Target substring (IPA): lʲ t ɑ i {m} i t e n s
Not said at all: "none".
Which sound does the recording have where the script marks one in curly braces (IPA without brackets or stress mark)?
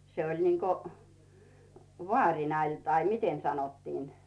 m